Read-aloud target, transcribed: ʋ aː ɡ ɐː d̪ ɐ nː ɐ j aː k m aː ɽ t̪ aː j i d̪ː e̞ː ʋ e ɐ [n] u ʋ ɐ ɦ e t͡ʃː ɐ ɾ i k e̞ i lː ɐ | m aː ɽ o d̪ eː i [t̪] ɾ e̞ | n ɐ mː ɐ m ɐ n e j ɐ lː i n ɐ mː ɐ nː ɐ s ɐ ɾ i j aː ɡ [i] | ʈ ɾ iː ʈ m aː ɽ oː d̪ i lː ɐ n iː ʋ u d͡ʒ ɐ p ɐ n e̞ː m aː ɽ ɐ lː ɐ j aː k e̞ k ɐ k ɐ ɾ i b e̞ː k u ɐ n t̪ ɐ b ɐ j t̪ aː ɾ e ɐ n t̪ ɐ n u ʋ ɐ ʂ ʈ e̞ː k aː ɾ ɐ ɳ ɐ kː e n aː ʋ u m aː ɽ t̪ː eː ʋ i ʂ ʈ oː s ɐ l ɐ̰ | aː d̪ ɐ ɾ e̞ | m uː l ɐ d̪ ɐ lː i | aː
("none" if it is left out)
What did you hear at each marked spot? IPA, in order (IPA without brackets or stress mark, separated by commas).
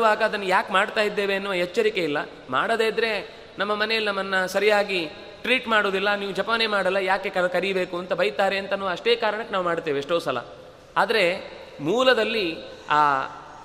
nː, d̪, i